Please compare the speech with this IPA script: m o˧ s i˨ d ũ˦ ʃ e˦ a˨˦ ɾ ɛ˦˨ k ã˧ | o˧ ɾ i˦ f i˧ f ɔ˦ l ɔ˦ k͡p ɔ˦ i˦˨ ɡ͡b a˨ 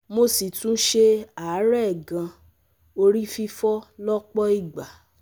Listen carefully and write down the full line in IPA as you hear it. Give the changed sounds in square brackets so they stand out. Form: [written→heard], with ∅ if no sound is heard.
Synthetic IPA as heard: m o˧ s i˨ [d→t] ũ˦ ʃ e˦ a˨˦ ɾ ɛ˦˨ [k→ɡ] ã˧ | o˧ ɾ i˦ f i˧ f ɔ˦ l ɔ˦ k͡p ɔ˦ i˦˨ ɡ͡b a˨